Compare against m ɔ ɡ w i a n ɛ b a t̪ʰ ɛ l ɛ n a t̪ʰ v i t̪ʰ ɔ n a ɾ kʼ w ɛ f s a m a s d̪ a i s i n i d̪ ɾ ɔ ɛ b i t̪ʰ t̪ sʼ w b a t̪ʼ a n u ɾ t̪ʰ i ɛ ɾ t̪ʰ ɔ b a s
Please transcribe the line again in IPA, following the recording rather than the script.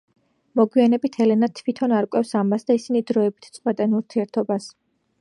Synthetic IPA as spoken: m ɔ ɡ w i a n ɛ b i t̪ʰ ɛ l ɛ n a t̪ʰ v i t̪ʰ ɔ n a ɾ kʼ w ɛ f s a m a s d̪ a i s i n i d̪ ɾ ɔ ɛ b i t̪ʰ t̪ sʼ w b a t̪ʼ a n u ɾ t̪ʰ i ɛ ɾ t̪ʰ ɔ b a s